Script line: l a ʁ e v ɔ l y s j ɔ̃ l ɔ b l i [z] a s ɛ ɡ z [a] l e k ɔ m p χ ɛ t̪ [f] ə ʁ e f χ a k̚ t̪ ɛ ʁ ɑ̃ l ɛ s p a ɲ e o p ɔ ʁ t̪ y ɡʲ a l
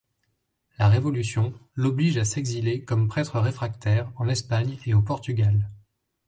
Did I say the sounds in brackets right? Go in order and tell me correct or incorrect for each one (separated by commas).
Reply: incorrect, incorrect, incorrect